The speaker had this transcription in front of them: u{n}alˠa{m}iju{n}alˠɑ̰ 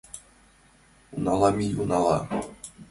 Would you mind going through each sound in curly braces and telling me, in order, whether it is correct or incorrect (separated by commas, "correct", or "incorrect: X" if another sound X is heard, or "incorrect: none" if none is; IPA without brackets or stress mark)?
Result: correct, correct, correct